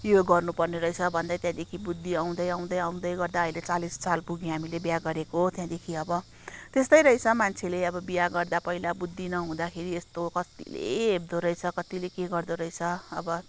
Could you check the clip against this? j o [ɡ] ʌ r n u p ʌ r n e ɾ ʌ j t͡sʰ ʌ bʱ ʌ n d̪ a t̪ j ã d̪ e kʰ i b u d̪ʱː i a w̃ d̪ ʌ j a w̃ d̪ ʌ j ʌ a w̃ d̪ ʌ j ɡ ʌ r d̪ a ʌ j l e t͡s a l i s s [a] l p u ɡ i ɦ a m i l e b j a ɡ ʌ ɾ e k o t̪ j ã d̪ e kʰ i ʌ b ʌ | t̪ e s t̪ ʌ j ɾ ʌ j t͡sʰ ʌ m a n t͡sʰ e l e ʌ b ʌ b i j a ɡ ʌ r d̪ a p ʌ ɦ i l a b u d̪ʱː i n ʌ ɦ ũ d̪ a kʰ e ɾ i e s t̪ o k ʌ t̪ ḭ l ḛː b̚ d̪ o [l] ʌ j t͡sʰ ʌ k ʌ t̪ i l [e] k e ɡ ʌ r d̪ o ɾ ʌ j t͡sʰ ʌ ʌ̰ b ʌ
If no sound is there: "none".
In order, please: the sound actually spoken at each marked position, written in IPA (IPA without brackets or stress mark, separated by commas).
ɡ, a, ɾ, e